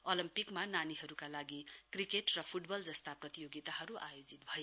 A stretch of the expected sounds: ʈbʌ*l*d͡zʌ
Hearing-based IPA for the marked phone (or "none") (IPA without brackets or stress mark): l